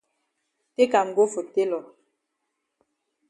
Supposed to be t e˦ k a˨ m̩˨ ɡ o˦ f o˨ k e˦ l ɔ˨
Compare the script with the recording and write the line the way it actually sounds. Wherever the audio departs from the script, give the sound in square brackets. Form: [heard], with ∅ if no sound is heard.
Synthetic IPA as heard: t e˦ k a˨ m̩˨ ɡ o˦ f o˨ [t] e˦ l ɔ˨

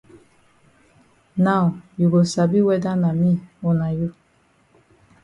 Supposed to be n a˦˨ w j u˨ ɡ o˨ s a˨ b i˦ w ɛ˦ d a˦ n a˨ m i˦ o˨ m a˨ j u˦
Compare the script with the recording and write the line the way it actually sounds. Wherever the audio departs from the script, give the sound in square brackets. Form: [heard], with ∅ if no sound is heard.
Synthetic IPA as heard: n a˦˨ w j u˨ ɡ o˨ s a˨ b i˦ w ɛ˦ d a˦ n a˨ m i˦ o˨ [n] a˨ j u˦

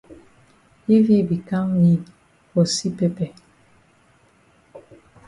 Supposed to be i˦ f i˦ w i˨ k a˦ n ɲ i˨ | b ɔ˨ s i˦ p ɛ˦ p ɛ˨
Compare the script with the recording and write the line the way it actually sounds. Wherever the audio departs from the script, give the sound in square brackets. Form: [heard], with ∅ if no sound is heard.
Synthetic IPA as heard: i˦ [v] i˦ [b] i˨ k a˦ [ŋ] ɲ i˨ | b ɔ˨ s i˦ p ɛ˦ p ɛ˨

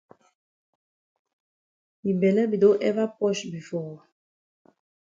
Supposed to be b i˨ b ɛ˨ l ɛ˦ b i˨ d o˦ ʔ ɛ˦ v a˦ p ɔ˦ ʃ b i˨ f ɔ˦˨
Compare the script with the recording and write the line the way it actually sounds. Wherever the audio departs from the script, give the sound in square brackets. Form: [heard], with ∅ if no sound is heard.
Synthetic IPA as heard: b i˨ b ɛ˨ l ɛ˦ b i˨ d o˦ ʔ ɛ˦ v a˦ p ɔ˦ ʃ b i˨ f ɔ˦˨

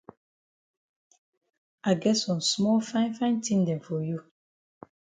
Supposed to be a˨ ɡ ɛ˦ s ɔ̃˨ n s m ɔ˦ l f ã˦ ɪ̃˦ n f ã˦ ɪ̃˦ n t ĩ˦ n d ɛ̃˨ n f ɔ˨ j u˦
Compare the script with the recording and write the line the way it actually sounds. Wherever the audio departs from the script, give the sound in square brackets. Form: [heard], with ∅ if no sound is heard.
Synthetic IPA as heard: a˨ ɡ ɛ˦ s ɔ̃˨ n s m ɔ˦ l f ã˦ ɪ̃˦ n f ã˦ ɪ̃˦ n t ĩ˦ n d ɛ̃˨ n f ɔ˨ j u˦

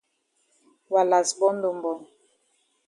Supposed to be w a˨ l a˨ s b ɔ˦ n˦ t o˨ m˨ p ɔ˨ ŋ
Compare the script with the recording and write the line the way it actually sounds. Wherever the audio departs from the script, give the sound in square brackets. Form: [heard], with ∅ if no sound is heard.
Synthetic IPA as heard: w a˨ l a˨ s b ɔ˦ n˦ [d] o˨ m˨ [b] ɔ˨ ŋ

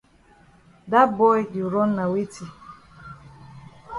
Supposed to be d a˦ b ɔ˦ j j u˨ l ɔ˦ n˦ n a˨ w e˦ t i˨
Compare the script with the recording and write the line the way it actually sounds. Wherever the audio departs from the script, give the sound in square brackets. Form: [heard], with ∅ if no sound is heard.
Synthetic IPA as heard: d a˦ b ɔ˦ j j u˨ [ɾ] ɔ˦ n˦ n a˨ w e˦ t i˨

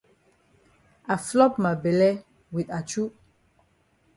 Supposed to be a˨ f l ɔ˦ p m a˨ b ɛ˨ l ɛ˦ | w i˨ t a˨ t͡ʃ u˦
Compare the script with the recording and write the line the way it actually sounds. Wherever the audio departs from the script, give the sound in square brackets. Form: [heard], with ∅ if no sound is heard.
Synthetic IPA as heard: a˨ f l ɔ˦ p m a˨ b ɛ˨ l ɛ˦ | w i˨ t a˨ t͡ʃ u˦

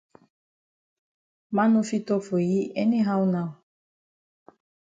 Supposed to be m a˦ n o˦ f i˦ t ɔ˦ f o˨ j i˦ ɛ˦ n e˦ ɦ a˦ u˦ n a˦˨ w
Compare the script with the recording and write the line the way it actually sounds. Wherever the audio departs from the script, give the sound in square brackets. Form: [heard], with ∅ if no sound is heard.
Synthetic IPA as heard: m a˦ n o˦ f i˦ t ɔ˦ f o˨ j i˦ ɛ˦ n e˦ ɦ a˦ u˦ n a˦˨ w

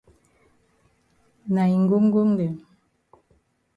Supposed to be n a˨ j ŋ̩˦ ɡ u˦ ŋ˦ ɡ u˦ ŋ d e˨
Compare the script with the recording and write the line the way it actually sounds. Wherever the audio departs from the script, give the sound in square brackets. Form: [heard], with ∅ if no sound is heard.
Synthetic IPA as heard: n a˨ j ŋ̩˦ ɡ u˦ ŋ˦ ɡ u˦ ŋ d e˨

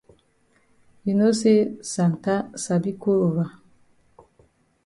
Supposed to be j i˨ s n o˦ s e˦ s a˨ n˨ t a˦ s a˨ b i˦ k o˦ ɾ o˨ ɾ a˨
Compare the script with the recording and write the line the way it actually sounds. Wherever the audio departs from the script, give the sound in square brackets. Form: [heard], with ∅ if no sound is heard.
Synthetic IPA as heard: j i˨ [∅] n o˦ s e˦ s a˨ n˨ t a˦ s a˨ b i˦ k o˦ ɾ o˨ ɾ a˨

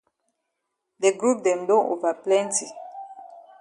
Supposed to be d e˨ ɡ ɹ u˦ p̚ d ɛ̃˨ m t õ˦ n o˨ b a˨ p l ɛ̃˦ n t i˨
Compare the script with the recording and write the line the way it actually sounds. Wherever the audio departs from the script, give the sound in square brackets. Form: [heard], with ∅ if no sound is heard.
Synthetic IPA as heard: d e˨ ɡ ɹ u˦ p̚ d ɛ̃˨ m [d] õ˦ n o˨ [v] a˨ p l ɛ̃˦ n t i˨

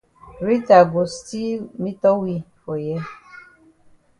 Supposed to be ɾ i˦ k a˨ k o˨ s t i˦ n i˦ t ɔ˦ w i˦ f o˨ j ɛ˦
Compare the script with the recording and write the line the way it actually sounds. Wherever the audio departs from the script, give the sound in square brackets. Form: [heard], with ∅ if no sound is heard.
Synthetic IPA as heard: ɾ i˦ [t] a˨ [ɡ] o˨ s t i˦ [m] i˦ t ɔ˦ w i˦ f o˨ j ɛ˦

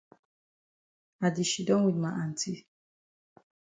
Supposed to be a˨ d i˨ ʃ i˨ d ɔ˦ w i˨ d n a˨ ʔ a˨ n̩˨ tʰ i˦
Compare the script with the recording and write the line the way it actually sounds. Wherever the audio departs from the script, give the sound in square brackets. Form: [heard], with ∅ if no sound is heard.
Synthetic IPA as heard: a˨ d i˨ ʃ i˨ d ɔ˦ w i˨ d [m] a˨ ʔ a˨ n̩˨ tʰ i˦

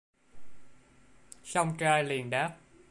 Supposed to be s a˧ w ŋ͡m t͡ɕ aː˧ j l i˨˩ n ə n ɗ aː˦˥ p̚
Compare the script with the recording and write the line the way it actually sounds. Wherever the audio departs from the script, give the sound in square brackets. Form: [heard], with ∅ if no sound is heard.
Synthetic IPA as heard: s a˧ w ŋ͡m t͡ɕ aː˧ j l i˨˩ [∅] ə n ɗ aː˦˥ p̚

